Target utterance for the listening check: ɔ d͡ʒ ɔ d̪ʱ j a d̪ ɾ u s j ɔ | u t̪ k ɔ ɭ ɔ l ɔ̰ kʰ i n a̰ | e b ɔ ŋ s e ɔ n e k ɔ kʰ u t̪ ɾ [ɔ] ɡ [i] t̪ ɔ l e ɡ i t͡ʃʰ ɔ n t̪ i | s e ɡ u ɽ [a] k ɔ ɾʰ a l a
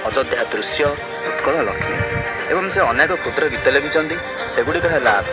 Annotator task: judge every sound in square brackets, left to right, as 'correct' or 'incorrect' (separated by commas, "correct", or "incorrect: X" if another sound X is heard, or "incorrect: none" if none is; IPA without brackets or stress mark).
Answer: correct, correct, incorrect: i